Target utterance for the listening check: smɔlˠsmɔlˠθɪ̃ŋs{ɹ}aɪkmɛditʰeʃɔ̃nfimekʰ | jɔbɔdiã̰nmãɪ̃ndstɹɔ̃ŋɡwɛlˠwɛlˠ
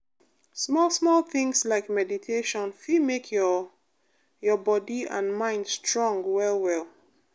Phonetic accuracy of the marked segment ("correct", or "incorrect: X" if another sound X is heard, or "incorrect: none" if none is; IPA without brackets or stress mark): incorrect: l